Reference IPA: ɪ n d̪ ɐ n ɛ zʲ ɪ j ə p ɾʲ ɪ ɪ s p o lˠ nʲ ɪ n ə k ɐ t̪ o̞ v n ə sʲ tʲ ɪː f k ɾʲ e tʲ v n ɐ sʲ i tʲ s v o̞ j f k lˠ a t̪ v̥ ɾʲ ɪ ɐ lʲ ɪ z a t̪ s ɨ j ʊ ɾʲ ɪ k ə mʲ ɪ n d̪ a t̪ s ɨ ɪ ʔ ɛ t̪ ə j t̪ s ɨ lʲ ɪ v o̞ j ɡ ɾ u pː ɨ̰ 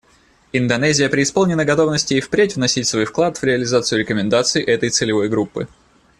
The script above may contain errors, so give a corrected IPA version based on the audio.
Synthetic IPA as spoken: ɪ n d̪ ɐ n ɛ zʲ ɪ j ə p ɾʲ ɪ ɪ s p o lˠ nʲ ɪ n ə ɡ ɐ t̪ o̞ v n ə sʲ tʲ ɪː f p ɾʲ e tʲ v n ɐ sʲ i tʲ s v o̞ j f k lˠ a t̪ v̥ ɾʲ ɪ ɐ lʲ ɪ z a t̪ s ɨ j ʊ ɾʲ ɪ k ə mʲ ɪ n d̪ a t̪ s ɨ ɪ ʔ ɛ t̪ ə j t̪ s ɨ lʲ ɪ v o̞ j ɡ ɾ u pː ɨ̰